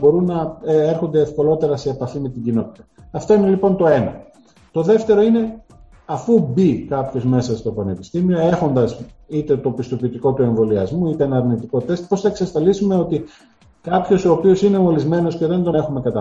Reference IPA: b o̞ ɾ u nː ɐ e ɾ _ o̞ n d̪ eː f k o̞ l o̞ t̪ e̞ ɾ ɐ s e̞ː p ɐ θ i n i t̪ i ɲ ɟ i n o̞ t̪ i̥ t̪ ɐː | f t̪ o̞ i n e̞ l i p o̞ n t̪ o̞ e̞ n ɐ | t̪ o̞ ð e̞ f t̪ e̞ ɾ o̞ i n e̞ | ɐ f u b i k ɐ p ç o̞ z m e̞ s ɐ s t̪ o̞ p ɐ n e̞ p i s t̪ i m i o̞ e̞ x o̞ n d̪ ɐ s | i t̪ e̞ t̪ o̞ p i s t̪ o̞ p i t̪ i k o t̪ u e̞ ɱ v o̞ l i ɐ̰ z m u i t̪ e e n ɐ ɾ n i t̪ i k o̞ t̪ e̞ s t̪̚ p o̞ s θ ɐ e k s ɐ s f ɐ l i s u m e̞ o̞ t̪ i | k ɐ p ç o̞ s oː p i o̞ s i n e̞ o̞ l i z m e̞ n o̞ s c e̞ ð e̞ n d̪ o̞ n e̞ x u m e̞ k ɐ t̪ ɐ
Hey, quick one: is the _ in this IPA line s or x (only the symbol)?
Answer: x